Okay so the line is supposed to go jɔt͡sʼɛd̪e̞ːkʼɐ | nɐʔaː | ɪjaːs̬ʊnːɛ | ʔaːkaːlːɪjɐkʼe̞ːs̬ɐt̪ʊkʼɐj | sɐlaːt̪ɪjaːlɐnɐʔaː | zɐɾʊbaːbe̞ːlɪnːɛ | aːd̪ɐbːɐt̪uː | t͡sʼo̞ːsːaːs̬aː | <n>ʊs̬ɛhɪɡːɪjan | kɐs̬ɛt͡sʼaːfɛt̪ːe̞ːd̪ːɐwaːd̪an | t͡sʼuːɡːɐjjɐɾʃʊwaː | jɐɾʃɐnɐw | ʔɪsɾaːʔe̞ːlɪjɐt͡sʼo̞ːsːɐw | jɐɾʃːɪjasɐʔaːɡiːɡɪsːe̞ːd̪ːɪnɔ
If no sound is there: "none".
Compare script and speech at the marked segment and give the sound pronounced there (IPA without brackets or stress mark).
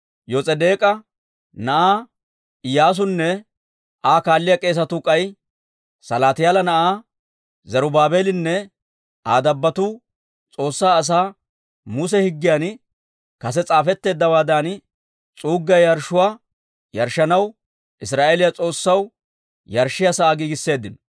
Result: m